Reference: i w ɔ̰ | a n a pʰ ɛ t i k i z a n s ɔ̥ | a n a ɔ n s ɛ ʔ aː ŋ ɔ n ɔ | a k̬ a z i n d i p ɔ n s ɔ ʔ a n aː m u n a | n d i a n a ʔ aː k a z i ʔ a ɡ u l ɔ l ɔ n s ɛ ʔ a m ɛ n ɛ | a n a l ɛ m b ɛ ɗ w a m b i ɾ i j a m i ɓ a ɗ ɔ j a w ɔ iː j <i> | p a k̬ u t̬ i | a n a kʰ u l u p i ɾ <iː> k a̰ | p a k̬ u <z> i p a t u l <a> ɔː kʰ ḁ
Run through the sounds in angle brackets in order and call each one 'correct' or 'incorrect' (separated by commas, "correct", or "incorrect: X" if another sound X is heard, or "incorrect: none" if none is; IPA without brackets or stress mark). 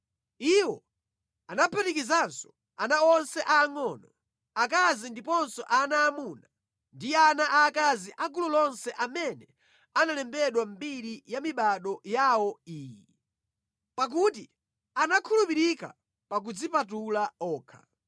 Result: correct, incorrect: i, incorrect: d͡z, correct